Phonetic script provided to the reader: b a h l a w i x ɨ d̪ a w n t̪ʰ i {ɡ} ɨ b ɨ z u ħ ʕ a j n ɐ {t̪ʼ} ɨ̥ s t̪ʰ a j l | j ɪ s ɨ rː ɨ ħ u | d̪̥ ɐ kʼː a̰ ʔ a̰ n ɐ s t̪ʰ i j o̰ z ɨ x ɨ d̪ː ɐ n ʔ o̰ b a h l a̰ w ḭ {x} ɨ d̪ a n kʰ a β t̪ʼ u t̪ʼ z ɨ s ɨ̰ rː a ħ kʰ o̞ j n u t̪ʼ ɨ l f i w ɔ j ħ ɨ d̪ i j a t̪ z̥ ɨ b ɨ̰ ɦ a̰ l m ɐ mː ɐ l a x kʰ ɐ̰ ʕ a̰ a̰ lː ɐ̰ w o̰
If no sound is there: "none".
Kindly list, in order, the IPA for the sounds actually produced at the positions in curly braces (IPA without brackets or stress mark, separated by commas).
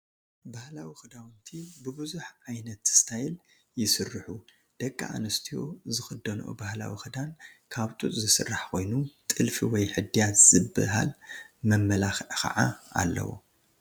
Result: b, t̪, x